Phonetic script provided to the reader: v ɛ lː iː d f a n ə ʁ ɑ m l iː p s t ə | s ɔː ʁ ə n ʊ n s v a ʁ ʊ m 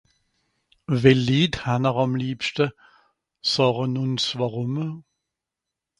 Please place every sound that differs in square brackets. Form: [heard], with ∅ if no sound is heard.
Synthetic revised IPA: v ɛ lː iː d [h] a n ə ʁ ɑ m l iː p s t ə | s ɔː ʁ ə n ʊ n s v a ʁ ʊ m